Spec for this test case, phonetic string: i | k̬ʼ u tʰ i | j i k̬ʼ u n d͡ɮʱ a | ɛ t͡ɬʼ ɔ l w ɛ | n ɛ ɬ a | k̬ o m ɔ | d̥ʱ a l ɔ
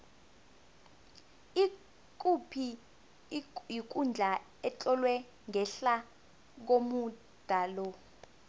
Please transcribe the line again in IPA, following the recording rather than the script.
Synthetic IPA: i | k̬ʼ u pʰ i | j i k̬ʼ u n d͡ɮʱ a | ɛ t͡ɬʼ ɔ l w ɛ | ŋ ɛ ɬ a | k̬ o m u | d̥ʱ a l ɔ